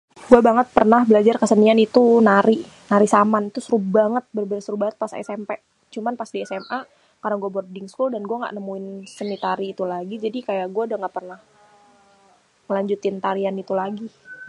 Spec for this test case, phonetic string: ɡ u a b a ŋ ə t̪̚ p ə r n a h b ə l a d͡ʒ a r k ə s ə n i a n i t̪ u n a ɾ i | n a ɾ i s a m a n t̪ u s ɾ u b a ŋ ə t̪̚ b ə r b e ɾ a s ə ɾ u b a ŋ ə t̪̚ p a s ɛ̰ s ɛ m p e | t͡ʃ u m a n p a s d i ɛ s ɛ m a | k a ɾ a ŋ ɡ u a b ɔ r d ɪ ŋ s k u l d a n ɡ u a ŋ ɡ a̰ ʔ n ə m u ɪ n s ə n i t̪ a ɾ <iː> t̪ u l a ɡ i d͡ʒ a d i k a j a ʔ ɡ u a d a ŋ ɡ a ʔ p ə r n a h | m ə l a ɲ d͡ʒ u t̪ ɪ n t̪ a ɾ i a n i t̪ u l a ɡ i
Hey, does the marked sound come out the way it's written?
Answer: yes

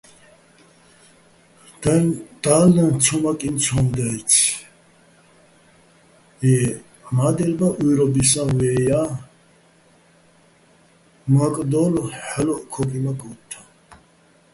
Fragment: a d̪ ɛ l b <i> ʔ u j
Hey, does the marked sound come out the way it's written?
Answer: no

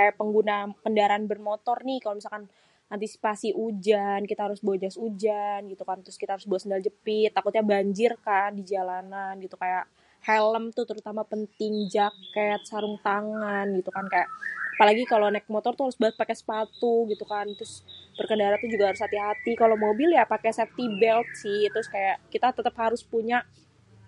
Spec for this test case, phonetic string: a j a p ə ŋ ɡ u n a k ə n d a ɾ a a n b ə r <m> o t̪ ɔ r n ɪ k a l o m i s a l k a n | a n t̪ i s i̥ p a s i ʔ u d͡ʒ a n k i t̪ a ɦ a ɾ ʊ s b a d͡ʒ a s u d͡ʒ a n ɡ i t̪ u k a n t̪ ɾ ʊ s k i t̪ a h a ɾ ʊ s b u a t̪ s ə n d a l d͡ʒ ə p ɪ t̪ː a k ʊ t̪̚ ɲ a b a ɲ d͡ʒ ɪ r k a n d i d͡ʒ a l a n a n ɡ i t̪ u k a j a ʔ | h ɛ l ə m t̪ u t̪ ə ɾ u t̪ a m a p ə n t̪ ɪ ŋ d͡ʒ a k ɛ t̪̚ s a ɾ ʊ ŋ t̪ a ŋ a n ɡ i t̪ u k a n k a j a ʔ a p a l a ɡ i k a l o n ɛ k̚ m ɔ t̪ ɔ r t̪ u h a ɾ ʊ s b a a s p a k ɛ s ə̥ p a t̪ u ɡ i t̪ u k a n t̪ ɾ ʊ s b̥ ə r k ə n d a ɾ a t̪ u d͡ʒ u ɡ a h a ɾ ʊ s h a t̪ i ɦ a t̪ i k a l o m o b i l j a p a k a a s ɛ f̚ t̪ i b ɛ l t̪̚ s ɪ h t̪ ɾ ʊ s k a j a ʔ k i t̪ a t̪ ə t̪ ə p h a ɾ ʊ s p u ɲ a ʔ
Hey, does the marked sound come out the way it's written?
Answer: yes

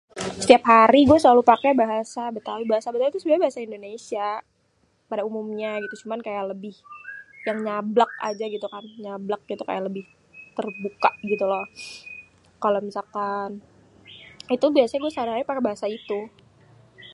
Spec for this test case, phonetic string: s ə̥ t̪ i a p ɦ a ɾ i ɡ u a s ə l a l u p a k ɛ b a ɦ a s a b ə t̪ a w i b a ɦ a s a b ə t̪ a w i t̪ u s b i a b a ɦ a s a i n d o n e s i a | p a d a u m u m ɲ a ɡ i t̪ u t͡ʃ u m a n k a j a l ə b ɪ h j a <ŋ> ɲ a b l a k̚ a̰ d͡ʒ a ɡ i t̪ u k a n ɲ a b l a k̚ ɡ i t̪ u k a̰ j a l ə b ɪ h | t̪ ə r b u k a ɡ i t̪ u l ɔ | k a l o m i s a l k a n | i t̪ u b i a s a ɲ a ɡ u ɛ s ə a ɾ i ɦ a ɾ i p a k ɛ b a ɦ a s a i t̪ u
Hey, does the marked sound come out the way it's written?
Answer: yes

